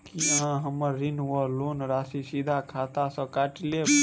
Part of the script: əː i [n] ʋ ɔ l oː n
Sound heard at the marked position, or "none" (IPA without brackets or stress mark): n